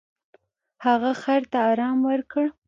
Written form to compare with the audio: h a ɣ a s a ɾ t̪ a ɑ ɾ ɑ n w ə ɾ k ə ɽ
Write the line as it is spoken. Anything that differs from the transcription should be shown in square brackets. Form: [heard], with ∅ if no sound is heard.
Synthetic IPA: h a ɣ a [x] a ɾ t̪ a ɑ ɾ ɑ [m] w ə ɾ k ə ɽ